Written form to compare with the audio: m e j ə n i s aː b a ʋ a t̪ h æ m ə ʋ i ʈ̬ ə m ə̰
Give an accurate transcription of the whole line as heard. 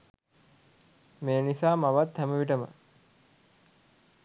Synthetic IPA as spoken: m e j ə n i s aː m a ʋ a t̪ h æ m ə ʋ i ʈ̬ ə m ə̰